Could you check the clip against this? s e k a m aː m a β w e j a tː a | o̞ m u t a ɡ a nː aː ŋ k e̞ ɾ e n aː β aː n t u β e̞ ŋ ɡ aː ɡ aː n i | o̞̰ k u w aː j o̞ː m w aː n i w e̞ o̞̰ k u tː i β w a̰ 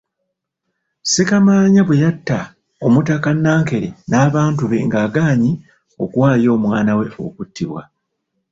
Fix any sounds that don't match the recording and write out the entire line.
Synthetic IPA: s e k a m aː ɲ a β w e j a tː a | o̞ m u t a k a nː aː ŋ k e̞ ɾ e n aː β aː n t u β e̞ ŋ ɡ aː ɡ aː ɲ i | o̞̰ k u w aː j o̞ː m w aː n a w e̞ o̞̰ k u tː i β w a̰